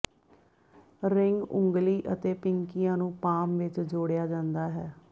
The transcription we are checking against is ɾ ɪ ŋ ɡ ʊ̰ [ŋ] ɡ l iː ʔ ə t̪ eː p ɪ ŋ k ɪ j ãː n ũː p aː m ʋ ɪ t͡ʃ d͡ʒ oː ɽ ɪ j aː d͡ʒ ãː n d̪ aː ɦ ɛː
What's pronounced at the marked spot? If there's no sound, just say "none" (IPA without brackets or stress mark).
ŋ